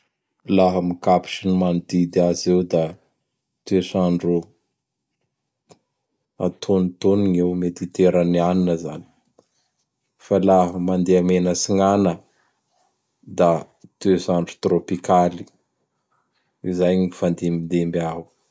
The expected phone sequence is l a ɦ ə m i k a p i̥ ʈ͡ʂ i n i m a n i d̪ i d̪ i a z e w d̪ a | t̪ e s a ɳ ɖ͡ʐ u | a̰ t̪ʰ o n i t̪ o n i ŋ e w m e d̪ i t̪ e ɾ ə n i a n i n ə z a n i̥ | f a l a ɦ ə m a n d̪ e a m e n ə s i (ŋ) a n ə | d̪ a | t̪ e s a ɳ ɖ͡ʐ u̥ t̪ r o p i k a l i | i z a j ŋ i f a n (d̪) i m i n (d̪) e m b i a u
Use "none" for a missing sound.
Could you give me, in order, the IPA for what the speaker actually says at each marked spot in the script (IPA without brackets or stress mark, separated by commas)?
ŋ, d̪, d̪